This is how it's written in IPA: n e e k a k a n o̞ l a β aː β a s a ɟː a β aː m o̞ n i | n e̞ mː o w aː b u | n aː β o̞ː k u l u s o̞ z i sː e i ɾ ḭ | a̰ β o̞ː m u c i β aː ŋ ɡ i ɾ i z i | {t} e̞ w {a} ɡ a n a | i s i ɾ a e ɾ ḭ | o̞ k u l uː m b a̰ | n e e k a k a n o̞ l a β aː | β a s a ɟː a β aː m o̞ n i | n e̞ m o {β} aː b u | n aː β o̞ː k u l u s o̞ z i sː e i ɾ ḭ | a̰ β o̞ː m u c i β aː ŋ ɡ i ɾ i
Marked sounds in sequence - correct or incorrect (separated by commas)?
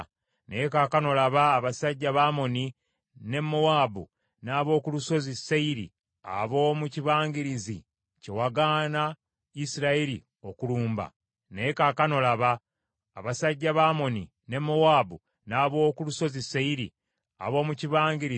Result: incorrect, correct, incorrect